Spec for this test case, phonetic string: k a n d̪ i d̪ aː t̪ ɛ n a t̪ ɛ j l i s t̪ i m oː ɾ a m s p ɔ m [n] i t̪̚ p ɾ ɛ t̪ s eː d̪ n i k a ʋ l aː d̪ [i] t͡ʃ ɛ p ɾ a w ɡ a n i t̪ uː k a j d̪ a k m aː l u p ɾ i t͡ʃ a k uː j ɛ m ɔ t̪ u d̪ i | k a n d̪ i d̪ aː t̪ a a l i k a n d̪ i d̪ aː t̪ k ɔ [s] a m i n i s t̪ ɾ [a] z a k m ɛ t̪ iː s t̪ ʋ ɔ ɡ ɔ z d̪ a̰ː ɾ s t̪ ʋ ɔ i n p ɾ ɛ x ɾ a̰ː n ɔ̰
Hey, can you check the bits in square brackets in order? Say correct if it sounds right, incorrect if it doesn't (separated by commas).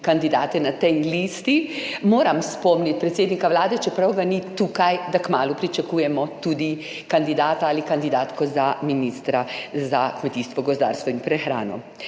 correct, incorrect, incorrect, correct